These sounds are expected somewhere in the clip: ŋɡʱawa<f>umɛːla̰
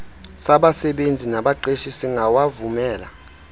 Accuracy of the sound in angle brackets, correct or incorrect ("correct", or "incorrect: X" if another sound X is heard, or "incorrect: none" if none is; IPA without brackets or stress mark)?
incorrect: v